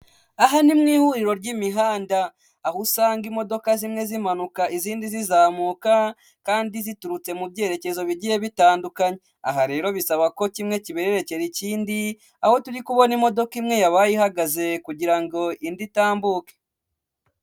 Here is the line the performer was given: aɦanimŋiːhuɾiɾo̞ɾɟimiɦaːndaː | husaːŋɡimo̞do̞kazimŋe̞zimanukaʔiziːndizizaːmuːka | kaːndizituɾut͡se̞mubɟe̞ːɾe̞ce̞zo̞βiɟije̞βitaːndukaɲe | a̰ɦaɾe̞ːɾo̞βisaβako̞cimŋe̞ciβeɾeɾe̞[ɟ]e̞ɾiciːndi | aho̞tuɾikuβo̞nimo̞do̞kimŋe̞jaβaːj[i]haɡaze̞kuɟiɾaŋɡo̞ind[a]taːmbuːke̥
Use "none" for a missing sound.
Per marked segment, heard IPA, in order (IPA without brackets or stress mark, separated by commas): c, i, i